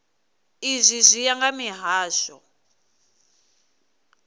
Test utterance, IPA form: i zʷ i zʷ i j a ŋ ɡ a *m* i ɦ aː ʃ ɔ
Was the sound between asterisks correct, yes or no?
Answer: yes